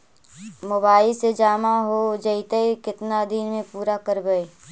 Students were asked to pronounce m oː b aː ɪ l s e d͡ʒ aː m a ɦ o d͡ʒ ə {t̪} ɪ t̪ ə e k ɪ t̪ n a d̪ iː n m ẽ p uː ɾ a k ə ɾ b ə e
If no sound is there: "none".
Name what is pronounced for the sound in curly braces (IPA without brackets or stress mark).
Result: none